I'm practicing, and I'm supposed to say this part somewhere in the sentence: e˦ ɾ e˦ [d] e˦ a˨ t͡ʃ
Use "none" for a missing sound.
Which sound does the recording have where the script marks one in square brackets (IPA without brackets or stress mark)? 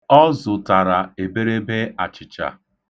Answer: b